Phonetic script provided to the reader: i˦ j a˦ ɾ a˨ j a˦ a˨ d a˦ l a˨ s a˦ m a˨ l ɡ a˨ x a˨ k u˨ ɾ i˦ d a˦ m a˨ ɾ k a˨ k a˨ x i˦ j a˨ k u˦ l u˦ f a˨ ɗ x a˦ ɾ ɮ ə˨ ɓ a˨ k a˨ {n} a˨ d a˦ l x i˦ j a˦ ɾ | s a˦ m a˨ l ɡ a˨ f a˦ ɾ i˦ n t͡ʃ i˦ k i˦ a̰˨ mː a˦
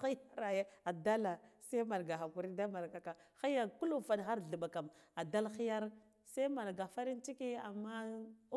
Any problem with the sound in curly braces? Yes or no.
yes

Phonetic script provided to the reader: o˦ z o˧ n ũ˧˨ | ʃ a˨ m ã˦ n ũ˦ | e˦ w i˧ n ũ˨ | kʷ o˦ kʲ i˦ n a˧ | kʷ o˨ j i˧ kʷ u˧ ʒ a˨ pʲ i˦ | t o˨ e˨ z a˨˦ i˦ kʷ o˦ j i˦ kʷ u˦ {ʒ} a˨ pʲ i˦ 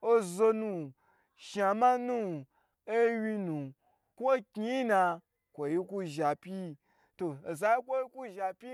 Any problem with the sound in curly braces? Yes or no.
no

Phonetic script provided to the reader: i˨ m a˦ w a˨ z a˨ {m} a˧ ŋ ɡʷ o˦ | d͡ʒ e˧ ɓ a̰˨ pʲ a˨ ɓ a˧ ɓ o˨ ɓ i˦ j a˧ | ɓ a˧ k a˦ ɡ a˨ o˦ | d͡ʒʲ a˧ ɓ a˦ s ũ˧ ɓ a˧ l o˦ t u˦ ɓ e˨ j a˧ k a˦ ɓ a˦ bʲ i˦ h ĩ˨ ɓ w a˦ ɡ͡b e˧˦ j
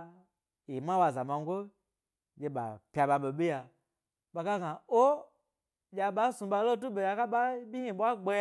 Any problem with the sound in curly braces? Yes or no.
no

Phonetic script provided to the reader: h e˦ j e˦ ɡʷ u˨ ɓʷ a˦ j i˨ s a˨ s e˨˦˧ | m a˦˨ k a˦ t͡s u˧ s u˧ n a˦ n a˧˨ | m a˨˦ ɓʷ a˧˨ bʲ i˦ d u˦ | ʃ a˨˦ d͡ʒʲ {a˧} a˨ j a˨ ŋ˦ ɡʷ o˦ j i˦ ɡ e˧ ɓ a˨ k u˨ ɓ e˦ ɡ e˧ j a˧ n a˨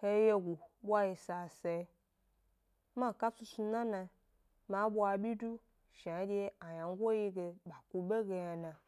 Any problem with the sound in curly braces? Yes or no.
yes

